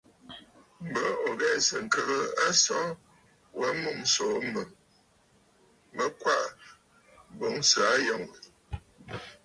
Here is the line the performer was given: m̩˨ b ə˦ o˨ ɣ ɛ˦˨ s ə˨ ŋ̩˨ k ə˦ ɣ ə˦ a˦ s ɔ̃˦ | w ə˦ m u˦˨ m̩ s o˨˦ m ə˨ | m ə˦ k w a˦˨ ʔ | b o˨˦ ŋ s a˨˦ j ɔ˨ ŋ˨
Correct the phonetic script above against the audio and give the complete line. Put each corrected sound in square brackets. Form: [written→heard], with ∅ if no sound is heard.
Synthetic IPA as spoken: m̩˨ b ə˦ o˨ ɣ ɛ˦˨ s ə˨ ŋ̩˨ k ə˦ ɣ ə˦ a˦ s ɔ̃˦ | w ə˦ m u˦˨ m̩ s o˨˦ m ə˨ | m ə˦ k w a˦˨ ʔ | b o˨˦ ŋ s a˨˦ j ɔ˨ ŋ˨